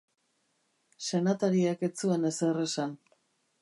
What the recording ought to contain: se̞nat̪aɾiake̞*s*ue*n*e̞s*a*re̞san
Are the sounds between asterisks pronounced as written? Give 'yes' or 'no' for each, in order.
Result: no, yes, no

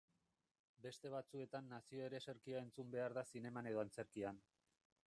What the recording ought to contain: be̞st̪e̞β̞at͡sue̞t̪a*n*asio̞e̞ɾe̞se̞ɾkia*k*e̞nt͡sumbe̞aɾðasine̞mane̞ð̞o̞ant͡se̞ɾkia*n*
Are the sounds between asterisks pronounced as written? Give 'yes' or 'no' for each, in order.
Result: no, no, yes

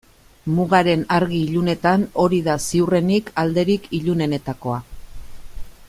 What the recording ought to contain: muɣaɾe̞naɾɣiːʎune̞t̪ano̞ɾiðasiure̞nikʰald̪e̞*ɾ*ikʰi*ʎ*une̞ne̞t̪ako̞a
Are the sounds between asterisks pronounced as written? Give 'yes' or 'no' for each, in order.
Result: yes, yes

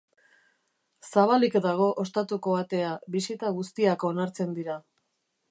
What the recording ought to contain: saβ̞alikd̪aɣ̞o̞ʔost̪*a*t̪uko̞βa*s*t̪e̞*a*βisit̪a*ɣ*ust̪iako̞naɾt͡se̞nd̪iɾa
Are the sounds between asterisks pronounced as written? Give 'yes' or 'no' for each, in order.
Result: yes, no, yes, yes

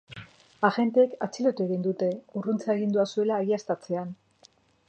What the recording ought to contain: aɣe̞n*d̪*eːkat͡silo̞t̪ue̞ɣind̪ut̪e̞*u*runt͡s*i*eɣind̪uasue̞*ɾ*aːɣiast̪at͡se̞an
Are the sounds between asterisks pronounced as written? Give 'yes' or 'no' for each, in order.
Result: no, yes, no, no

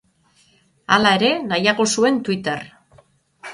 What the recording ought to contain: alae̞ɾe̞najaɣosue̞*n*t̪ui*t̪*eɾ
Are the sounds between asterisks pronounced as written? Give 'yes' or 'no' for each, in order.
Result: yes, yes

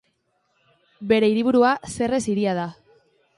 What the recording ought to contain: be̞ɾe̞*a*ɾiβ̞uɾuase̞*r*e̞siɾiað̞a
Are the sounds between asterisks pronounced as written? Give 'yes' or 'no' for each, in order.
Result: no, yes

